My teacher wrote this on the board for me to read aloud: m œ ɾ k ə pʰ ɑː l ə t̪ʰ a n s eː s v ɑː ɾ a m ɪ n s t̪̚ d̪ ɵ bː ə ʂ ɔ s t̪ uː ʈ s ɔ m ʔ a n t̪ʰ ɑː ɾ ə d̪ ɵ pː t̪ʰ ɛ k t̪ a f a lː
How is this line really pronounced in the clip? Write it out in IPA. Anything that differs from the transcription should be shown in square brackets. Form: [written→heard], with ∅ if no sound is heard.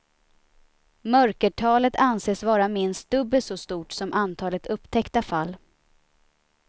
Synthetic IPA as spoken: m œ ɾ k ə [pʰ→ʈʰ] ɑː l ə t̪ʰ a n s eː s v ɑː ɾ a m ɪ n s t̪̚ d̪ ɵ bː ə [ʂ→s] ɔ s t̪ uː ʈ s ɔ m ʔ a n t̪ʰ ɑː [ɾ→l] ə [d̪→t̪] ɵ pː t̪ʰ ɛ k t̪ a f a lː

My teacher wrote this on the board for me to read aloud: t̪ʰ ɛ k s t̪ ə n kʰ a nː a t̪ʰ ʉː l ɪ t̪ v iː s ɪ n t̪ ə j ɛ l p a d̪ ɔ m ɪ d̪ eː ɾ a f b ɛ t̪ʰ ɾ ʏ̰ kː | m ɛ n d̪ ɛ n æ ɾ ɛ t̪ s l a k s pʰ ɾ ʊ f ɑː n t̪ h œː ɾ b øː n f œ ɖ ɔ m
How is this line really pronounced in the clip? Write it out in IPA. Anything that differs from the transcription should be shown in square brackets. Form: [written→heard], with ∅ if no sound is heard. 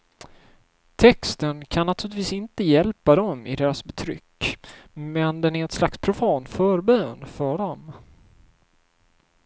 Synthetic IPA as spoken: t̪ʰ ɛ k s t̪ ə n kʰ a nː a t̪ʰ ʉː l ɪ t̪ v iː s ɪ n t̪ ə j ɛ l p a d̪ ɔ m ɪ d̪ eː ɾ a [f→s] b ɛ t̪ʰ ɾ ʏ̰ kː | m ɛ n d̪ ɛ n æ ɾ ɛ t̪ s l a k s pʰ ɾ ʊ f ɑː n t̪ [h→f] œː ɾ b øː n f œ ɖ ɔ m

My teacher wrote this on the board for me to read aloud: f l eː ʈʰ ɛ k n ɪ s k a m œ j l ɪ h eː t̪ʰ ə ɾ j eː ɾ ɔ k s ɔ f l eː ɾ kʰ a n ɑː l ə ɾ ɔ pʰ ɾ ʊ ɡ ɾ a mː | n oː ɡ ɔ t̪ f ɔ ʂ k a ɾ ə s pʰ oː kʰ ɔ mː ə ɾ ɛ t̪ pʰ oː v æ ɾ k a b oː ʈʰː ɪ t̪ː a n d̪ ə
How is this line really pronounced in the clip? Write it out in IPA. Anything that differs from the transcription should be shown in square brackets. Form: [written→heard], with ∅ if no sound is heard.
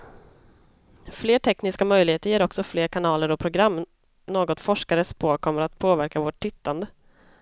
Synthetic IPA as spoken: f l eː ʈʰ ɛ k n ɪ s k a m œ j l ɪ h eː [t̪ʰ→t̪] ə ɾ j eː ɾ ɔ k s ɔ f l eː ɾ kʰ a n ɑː l ə ɾ ɔ pʰ ɾ ʊ ɡ ɾ a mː | n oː ɡ ɔ t̪ f ɔ ʂ k a ɾ ə s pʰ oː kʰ ɔ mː ə ɾ [ɛ→a] t̪ pʰ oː v æ ɾ k a [b→v] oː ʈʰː ɪ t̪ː a n d̪ ə

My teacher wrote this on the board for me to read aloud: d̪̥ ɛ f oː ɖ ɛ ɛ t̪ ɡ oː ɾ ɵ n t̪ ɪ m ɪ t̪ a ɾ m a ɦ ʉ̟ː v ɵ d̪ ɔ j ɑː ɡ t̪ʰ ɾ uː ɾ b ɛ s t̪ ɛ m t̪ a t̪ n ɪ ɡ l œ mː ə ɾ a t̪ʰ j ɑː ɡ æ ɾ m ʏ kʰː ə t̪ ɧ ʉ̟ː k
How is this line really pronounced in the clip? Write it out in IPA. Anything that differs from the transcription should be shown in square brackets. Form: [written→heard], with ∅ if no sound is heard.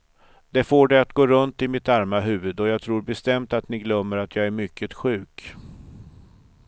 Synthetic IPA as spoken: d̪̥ ɛ f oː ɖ ɛ [ɛ→a] t̪ ɡ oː ɾ ɵ n t̪ ɪ m ɪ t̪ a ɾ m a ɦ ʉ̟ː v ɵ d̪ ɔ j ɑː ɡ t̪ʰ ɾ uː ɾ b ɛ s t̪ ɛ m t̪ a t̪ n ɪ ɡ l œ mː ə ɾ a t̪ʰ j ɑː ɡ æ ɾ m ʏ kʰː ə t̪ ɧ ʉ̟ː k

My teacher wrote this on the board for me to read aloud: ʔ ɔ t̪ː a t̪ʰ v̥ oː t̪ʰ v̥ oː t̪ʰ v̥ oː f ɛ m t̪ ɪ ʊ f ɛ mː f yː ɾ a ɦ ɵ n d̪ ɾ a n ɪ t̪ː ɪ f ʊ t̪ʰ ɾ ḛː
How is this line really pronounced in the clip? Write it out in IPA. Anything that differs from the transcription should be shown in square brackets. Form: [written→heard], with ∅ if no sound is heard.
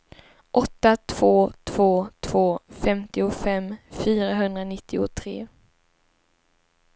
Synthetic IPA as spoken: ʔ ɔ t̪ː a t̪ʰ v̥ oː t̪ʰ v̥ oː t̪ʰ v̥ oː f ɛ m t̪ ɪ ʊ f ɛ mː f yː ɾ a ɦ ɵ n d̪ ɾ a n ɪ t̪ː ɪ [f→∅] ʊ t̪ʰ ɾ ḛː

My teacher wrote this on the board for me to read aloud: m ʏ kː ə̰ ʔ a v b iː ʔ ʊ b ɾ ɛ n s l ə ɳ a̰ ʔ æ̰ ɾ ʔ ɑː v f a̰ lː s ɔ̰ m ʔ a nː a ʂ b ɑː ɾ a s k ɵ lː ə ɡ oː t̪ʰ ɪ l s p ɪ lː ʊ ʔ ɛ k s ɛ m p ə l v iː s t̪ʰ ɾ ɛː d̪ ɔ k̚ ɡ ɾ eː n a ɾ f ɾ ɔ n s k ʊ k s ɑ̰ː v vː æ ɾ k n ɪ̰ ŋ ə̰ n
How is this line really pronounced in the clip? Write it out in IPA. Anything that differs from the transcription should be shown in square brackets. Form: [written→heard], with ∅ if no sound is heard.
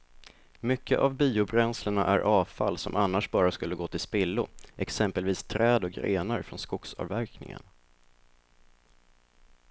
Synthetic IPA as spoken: m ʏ kː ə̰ ʔ a v b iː [ʔ→∅] ʊ b ɾ ɛ n s l ə ɳ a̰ ʔ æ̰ ɾ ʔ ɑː v f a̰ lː s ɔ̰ m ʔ a nː a ʂ b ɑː ɾ a s k ɵ lː ə ɡ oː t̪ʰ ɪ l s p ɪ lː ʊ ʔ ɛ k s ɛ m p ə l v iː s t̪ʰ ɾ ɛː d̪ ɔ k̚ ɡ ɾ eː n a ɾ f ɾ ɔ n s k ʊ k s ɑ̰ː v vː æ ɾ k n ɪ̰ ŋ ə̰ n

